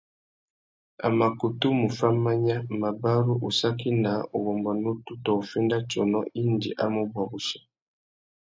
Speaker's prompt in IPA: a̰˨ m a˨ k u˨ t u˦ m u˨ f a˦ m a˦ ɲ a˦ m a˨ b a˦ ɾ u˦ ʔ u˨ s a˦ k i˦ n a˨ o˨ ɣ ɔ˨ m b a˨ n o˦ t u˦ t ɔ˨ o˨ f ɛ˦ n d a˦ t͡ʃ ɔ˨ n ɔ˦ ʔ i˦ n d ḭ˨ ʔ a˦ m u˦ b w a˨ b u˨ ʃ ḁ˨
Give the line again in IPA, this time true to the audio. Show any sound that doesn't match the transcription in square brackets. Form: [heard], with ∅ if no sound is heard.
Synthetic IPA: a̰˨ m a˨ k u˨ t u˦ m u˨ f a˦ m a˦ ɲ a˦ m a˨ b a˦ ɾ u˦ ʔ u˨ s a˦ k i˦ n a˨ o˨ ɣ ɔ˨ m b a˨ n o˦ t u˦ t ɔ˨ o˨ f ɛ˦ n d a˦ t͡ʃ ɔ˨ n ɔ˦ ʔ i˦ n d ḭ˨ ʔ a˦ m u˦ b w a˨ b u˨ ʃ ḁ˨